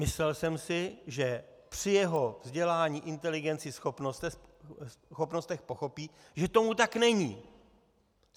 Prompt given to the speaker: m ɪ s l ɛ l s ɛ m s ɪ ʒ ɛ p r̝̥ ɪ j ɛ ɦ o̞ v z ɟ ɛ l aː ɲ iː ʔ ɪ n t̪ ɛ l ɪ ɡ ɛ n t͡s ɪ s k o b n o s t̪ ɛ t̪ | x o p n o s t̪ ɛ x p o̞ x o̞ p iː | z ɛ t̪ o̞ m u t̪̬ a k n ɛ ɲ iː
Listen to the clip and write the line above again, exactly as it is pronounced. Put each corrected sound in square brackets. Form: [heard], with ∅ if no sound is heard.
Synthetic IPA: m ɪ s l ɛ l s ɛ m s ɪ ʒ ɛ p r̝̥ ɪ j ɛ ɦ o̞ v z ɟ ɛ l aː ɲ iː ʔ ɪ n t̪ ɛ l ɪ ɡ ɛ n t͡s ɪ s [x] o [p] n o s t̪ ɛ [∅] | x o p n o s t̪ ɛ x p o̞ x o̞ p iː | [ʒ] ɛ t̪ o̞ m u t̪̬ a k n ɛ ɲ iː